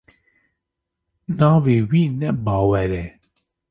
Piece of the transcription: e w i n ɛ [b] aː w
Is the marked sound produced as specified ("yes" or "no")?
yes